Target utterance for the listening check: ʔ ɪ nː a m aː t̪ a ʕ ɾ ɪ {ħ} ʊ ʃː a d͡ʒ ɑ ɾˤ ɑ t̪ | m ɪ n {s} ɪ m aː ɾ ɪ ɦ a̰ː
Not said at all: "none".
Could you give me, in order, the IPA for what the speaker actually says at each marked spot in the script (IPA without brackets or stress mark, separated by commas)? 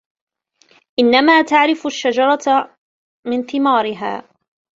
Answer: f, θ